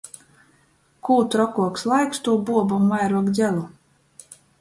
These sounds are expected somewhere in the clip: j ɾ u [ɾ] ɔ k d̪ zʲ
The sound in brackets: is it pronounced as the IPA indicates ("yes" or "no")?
no